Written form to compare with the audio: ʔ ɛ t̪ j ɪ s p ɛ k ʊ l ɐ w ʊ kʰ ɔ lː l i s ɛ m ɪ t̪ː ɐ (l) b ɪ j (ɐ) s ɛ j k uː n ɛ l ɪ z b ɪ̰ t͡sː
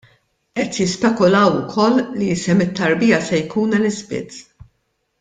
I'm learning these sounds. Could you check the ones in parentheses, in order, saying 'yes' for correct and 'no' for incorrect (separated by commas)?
no, yes